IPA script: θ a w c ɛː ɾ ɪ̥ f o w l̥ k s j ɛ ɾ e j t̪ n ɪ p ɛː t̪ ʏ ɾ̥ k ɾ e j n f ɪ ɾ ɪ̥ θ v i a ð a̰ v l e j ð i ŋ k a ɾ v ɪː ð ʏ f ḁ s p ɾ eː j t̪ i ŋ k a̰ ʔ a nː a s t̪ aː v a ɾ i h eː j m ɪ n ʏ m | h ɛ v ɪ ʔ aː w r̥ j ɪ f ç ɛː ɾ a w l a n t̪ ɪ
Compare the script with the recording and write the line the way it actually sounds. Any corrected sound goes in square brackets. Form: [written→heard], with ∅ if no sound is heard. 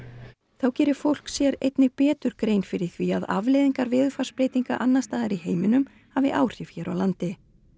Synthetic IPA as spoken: θ a w c ɛː ɾ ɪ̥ f o w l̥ k s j ɛ ɾ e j t̪ n ɪ p ɛː t̪ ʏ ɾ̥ k ɾ e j n f ɪ ɾ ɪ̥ θ v i a ð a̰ v l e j ð i ŋ k a ɾ v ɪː ð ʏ f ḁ s p ɾ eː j t̪ i ŋ k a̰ ʔ a nː a s t̪ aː [v→ð] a ɾ i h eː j m ɪ n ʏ m | h [ɛ→a] v ɪ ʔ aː w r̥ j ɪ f ç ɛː ɾ a w l a n t̪ ɪ